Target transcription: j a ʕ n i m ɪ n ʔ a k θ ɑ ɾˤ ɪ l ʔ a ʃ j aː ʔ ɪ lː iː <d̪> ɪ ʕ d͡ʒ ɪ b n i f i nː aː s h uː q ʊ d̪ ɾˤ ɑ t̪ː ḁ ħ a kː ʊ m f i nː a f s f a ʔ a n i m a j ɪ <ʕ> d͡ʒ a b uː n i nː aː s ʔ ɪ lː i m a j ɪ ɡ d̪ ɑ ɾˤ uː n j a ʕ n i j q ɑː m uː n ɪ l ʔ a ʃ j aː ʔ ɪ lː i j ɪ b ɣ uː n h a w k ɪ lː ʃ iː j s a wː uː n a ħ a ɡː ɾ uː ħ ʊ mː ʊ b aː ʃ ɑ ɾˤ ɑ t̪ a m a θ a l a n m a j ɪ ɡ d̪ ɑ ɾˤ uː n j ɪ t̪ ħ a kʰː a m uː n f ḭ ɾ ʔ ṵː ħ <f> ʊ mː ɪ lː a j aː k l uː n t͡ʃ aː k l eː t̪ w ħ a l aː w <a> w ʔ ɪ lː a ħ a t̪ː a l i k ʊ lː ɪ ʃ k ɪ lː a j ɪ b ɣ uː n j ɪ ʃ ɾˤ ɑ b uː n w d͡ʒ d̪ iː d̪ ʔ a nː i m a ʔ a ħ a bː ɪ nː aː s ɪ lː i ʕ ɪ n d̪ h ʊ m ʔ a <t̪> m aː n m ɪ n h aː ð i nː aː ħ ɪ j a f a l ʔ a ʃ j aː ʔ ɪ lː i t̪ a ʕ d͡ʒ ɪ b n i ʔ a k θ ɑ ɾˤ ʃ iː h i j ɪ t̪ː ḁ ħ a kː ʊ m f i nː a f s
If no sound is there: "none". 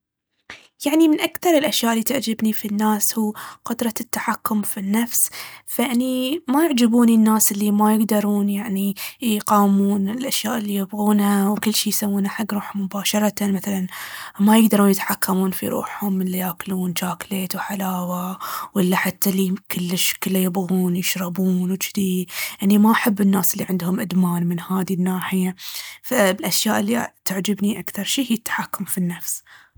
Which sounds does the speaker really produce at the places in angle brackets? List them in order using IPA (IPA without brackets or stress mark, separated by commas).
t̪, ʕ, h, a, d̪